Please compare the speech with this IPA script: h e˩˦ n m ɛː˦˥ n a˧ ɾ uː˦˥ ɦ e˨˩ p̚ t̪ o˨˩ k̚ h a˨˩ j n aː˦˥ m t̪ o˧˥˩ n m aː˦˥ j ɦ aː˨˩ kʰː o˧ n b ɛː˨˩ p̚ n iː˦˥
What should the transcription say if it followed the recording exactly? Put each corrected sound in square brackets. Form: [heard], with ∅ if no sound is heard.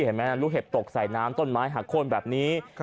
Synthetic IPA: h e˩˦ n m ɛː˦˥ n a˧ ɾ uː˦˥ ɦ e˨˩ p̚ t̪ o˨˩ k̚ [s] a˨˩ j n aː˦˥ m t̪ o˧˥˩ n m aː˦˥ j ɦ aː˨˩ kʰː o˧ n b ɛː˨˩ p̚ n iː˦˥